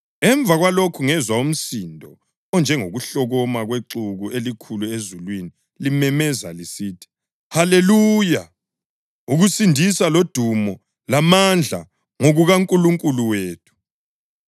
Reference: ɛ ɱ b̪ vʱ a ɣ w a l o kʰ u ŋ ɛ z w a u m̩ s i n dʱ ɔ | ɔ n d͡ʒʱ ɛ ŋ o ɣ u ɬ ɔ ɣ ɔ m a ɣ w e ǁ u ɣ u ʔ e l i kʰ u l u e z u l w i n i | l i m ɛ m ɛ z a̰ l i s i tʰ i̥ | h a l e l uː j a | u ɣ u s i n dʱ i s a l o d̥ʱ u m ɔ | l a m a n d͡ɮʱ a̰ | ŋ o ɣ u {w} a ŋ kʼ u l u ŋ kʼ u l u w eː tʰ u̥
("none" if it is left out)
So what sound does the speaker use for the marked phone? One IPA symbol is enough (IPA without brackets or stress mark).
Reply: ɣ